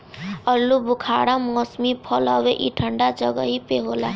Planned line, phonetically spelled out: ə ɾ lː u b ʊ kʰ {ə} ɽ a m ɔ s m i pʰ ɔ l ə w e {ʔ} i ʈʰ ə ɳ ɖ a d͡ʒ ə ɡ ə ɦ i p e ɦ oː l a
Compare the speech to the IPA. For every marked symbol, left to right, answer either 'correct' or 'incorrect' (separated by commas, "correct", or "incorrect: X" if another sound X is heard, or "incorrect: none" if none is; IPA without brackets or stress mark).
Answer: incorrect: a, correct